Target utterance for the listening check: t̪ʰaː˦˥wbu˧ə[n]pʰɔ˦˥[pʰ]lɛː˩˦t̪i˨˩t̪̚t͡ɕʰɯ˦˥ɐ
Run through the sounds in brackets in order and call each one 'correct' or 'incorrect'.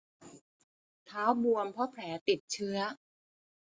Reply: incorrect, correct

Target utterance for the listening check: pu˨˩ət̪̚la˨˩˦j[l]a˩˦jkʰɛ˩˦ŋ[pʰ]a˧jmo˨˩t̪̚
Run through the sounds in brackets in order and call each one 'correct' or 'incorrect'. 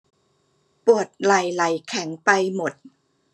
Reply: correct, incorrect

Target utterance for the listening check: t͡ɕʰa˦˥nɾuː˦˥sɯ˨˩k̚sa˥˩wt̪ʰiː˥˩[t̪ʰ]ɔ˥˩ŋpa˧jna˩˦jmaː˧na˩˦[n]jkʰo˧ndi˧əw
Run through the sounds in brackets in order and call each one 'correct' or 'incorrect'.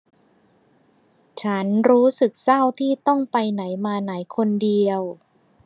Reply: incorrect, incorrect

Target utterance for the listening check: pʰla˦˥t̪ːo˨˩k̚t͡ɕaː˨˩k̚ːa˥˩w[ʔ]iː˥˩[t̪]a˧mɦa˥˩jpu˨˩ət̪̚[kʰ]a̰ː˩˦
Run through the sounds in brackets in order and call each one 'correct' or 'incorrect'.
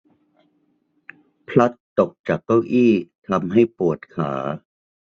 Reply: correct, incorrect, correct

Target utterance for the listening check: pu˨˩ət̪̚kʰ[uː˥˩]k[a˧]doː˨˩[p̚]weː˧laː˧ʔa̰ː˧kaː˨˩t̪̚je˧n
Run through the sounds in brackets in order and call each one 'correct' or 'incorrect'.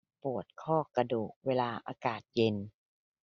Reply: incorrect, correct, incorrect

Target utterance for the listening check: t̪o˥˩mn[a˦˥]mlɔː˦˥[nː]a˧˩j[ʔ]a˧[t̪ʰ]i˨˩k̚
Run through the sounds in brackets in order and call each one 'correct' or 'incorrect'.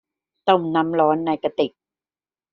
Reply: correct, correct, incorrect, incorrect

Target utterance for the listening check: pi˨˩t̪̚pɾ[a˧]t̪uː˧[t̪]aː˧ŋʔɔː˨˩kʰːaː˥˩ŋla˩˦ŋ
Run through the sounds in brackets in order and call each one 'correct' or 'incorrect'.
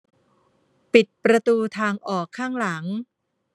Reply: correct, incorrect

